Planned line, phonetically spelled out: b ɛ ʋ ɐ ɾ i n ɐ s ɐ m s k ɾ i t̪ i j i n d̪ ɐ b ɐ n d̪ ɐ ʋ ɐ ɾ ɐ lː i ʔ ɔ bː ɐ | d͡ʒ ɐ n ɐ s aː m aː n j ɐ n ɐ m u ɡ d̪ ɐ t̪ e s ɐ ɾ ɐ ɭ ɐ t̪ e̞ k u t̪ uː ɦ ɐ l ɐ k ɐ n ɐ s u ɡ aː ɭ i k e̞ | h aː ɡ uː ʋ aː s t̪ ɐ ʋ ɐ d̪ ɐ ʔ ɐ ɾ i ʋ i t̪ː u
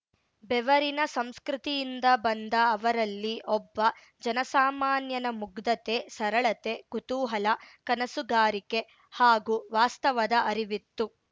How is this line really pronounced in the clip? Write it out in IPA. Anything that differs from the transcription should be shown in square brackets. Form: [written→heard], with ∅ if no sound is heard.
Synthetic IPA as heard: b ɛ ʋ ɐ ɾ i n ɐ s ɐ m s k ɾ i t̪ i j i n d̪ ɐ b ɐ n d̪ [ɐ→ɐː] ʋ ɐ ɾ ɐ lː i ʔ ɔ bː ɐ | d͡ʒ ɐ n ɐ s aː m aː n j ɐ n ɐ m u ɡ d̪ ɐ t̪ e s ɐ ɾ ɐ ɭ ɐ t̪ e̞ k u t̪ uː ɦ ɐ l ɐ k ɐ n ɐ s u ɡ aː [ɭ→ɾ] i k e̞ | h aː ɡ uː ʋ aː s t̪ ɐ ʋ ɐ d̪ ɐ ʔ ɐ ɾ i ʋ i t̪ː u